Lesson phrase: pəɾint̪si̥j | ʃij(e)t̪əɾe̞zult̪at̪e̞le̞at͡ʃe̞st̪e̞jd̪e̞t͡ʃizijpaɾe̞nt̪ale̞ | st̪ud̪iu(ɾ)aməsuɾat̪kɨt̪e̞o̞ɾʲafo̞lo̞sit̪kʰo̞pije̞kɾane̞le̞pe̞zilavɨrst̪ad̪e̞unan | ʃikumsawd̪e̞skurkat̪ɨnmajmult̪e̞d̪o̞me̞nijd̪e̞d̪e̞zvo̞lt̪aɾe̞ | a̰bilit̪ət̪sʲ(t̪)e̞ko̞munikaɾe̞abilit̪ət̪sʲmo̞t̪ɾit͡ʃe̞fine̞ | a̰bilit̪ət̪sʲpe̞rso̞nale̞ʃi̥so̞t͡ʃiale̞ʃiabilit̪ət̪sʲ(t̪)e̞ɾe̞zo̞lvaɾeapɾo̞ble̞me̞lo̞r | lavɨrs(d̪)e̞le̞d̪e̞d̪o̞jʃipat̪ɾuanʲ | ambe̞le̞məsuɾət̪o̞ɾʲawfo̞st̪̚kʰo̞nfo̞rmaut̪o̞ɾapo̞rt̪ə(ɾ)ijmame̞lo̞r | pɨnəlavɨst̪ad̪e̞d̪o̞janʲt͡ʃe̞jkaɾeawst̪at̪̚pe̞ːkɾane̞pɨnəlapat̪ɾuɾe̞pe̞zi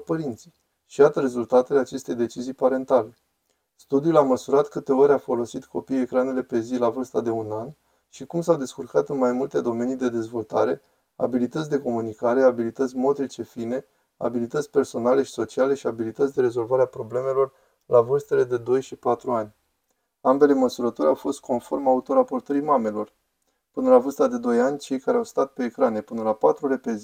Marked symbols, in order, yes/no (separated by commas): no, no, no, no, no, yes